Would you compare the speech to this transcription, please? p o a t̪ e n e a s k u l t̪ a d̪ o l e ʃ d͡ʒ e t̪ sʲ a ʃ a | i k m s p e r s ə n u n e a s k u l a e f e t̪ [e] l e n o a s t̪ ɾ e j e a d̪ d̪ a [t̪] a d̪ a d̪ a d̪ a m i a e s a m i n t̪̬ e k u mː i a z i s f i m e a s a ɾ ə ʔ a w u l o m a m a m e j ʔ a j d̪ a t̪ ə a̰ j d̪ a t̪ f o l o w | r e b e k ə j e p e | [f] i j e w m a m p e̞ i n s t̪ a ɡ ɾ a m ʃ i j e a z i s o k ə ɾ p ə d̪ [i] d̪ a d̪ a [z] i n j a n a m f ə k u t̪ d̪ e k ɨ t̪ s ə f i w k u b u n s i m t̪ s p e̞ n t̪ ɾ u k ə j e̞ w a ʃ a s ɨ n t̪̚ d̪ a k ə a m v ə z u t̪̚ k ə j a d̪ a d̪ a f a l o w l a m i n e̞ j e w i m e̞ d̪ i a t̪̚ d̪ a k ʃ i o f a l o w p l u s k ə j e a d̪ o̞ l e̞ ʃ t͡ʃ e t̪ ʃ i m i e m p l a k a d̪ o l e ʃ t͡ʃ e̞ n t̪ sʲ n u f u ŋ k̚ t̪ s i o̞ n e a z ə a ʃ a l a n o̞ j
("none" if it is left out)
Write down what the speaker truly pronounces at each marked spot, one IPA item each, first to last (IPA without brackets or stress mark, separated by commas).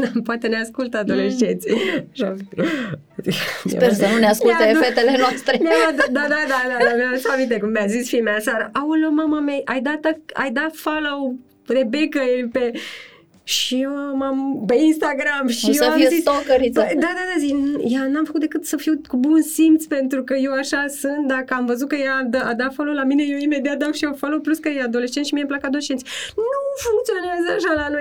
e, d̪, ʃ, a, z